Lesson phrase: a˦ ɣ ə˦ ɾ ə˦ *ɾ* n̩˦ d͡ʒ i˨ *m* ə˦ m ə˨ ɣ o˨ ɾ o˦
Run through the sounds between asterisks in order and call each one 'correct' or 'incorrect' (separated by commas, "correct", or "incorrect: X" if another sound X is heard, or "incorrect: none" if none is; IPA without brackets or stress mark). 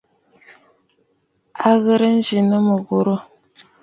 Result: incorrect: none, incorrect: n